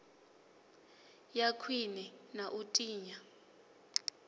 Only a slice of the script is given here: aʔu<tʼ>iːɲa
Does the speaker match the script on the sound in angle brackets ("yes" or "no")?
yes